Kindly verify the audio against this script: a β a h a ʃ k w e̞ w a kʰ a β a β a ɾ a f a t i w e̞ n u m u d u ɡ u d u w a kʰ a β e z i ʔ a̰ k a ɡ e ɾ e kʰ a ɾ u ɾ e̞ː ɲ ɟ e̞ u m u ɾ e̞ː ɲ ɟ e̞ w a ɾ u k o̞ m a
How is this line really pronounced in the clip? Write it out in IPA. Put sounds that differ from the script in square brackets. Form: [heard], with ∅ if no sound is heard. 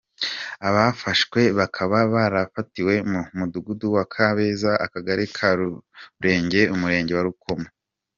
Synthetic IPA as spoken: a β a [f] a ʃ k w e̞ [β] a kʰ a β a β a ɾ a f a t i w e̞ [m] u m u d u ɡ u d u w a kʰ a β e z [a] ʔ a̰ k a ɡ [a] ɾ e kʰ a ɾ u ɾ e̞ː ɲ ɟ e̞ u m u ɾ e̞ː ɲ ɟ e̞ w a ɾ u k o̞ m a